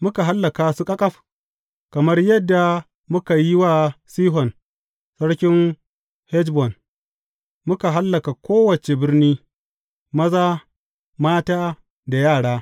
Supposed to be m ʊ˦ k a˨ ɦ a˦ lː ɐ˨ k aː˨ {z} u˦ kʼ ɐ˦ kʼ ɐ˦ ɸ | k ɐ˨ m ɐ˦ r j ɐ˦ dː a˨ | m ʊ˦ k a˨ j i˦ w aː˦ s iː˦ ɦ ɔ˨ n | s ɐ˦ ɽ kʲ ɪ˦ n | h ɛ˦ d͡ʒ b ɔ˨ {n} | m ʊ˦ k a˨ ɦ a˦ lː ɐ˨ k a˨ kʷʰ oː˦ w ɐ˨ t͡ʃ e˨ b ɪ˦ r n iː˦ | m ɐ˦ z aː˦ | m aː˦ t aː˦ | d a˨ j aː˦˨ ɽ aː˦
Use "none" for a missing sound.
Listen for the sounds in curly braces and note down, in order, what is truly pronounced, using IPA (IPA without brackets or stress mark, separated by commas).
s, n